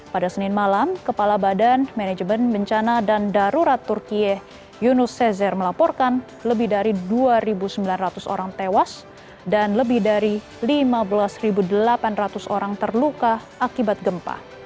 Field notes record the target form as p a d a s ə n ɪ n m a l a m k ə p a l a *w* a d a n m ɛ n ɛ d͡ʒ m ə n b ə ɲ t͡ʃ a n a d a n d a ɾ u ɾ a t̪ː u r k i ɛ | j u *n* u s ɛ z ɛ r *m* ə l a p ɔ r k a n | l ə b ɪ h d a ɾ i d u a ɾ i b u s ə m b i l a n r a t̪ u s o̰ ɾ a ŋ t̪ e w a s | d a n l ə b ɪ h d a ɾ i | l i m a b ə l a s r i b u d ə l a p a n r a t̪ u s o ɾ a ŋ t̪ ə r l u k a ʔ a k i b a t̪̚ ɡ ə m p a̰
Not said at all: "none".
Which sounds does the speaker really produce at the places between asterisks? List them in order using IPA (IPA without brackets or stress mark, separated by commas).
b, n, m